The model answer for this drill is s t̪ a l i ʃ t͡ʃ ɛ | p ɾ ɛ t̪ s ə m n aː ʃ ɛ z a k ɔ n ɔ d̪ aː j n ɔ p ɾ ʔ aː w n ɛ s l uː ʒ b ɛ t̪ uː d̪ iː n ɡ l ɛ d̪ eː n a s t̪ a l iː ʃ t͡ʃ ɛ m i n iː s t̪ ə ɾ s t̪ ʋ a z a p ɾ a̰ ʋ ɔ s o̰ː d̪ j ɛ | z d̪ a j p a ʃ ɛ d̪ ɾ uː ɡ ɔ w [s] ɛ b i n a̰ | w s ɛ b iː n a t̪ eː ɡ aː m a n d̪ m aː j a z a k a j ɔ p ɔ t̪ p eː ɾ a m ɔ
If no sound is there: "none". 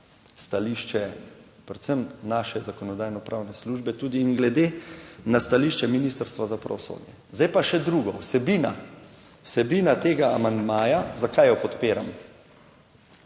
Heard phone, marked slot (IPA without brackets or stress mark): s